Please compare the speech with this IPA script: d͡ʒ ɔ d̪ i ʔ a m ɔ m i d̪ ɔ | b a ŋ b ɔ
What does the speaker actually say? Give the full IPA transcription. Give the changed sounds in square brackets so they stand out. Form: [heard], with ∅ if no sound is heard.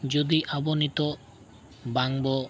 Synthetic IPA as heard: d͡ʒ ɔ d̪ i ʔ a [b] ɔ [n] i [t̪] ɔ | b a ŋ b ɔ

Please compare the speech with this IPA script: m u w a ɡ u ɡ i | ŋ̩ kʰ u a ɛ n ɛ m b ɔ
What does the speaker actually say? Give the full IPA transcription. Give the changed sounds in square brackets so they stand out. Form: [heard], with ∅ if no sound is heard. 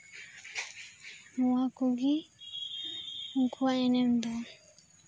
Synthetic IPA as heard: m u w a [k] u ɡ i | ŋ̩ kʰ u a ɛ n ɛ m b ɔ

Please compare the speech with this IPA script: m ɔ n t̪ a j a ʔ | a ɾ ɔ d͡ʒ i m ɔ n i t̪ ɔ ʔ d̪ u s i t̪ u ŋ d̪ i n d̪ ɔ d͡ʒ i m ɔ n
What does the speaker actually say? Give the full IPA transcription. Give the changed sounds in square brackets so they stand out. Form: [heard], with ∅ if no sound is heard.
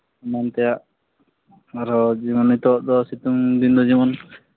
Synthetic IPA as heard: m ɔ n t̪ [ɛ] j a ʔ | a ɾ ɔ d͡ʒ i m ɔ n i t̪ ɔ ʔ d̪ [ɔ] s i t̪ u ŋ d̪ i n d̪ ɔ d͡ʒ i m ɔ n

